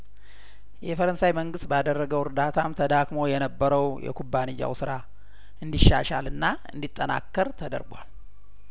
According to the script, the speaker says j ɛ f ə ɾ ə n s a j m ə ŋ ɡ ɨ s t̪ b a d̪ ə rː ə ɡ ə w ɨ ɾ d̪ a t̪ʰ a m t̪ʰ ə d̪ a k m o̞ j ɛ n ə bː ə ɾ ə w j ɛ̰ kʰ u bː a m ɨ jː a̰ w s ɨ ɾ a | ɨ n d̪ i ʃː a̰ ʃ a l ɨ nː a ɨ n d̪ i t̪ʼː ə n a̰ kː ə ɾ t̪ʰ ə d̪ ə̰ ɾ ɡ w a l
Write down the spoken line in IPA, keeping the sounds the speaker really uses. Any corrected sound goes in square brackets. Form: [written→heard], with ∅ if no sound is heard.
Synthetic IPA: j ɛ f ə ɾ ə n s a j m ə ŋ ɡ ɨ s t̪ b a d̪ ə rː ə ɡ ə w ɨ ɾ d̪ a t̪ʰ a m t̪ʰ ə d̪ a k m o̞ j ɛ n ə bː ə ɾ ə w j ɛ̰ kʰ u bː a [m→n] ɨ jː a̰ w s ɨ ɾ a | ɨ n d̪ i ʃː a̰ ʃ a l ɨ nː a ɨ n d̪ i t̪ʼː ə n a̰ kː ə ɾ t̪ʰ ə d̪ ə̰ ɾ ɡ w a l